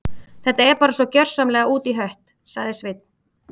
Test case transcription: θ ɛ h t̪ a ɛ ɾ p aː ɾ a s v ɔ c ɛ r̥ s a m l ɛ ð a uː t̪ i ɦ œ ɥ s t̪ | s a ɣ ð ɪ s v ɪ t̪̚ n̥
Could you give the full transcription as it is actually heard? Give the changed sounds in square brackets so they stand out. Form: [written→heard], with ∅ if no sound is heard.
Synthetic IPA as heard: θ ɛ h t̪ a ɛ ɾ p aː ɾ a s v ɔ c [ɛ→œ] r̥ s a m l ɛ [ð→ɣ] a uː t̪ i ɦ œ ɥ [s→h] t̪ | s a ɣ ð ɪ s v ɪ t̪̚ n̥